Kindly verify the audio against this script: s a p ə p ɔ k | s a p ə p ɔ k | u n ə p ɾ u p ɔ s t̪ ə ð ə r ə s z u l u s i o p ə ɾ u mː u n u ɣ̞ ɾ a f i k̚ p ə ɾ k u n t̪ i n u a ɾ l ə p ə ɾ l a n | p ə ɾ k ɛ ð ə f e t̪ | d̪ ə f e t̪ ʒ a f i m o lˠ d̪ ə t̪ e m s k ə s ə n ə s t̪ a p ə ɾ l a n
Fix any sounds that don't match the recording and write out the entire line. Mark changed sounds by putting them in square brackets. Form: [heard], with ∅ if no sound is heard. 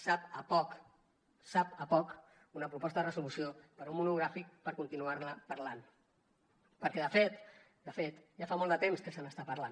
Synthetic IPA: s a p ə p ɔ k | s a p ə p ɔ k | u n ə p ɾ u p ɔ s t̪ ə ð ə r ə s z u l u s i o p ə ɾ u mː u n u ɣ̞ ɾ a f i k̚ p ə ɾ k u n t̪ i n u a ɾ l ə p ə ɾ l a n | p ə ɾ k ɛ ð ə f e t̪ | d̪ ə f e t̪ ʒ a f [a] m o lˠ d̪ ə t̪ e m s k ə s ə n ə s t̪ a p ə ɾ l a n